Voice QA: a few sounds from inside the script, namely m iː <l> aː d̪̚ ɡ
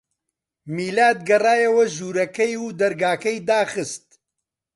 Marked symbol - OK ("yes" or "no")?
yes